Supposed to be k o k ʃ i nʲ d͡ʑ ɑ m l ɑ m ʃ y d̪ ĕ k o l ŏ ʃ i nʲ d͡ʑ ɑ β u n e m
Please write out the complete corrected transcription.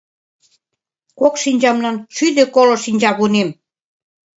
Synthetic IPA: k o k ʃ i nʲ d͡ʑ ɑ m l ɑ n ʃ y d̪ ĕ k o l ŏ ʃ i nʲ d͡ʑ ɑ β u n e m